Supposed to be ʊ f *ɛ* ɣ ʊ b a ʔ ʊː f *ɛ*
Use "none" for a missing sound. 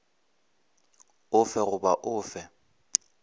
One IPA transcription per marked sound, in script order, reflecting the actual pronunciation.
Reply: ɛ, ɛ

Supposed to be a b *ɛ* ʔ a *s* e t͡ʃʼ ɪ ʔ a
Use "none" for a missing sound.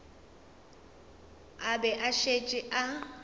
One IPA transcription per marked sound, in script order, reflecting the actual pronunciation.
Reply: ɛ, ʃ

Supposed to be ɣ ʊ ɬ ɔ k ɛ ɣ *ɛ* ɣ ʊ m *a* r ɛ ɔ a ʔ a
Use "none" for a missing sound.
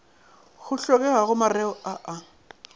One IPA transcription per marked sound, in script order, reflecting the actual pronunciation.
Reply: a, a

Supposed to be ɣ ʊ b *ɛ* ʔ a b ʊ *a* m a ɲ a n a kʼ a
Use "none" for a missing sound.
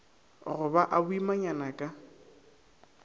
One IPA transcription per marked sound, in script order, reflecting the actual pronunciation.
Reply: a, i

